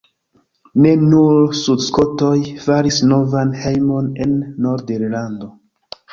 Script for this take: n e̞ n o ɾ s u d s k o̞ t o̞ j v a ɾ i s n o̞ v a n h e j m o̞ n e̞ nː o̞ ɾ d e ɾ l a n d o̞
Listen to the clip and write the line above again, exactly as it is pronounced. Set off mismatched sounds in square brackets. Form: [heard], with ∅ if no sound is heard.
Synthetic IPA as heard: n e̞ n [u] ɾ s u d s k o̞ t o̞ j [f] a ɾ i s n o̞ v a n h e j m o̞ n e̞ nː o̞ ɾ d e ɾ l a n d o̞